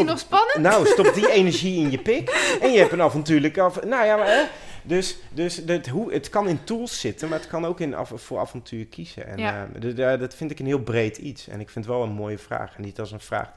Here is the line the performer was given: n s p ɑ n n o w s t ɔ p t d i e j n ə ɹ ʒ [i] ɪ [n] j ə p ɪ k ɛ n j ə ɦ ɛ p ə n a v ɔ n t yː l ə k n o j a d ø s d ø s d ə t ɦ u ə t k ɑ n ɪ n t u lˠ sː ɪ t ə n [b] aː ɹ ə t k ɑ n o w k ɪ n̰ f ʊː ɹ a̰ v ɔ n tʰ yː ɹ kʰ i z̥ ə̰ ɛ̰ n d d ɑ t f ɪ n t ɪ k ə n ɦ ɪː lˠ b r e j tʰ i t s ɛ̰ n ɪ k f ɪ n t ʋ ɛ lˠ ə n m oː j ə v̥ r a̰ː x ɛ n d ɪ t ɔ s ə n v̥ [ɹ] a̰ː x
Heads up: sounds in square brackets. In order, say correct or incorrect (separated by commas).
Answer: correct, correct, incorrect, incorrect